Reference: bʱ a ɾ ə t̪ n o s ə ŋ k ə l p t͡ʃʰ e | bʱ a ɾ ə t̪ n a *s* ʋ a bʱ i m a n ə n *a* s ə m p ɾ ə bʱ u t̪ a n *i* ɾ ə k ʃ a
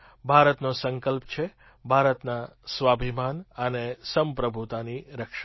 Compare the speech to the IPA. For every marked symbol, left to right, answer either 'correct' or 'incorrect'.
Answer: correct, incorrect, correct

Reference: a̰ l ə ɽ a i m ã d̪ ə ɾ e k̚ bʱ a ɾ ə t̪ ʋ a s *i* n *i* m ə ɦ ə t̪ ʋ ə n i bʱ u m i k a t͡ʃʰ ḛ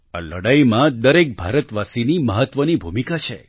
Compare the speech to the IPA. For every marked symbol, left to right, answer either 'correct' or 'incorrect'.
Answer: correct, correct

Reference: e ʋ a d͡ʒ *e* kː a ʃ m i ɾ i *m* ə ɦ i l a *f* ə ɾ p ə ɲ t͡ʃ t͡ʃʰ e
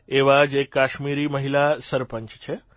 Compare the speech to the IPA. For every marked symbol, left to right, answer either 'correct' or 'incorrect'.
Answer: correct, correct, incorrect

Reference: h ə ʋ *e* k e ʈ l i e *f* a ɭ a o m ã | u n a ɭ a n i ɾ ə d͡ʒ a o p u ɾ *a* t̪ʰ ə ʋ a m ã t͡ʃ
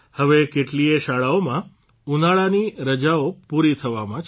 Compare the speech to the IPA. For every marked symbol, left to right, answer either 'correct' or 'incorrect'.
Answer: correct, incorrect, incorrect

